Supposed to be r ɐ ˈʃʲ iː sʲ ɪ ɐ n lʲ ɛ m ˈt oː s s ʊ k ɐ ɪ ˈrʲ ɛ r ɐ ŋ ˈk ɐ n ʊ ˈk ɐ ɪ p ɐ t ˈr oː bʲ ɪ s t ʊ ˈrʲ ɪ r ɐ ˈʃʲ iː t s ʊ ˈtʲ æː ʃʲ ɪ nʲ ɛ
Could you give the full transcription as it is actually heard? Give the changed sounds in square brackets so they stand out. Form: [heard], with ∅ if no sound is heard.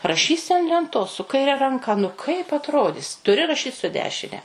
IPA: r ɐ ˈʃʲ iː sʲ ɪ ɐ n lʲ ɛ [n] ˈt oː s s ʊ k ɐ ɪ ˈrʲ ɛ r ɐ ŋ ˈk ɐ n ʊ ˈk ɐ ɪ p ɐ t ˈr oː [dʲ] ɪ s t ʊ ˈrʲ ɪ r ɐ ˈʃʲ iː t s ʊ [ˈdʲ] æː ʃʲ ɪ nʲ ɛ